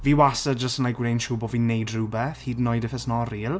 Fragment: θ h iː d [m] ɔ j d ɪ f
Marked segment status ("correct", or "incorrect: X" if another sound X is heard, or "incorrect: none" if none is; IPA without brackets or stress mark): incorrect: n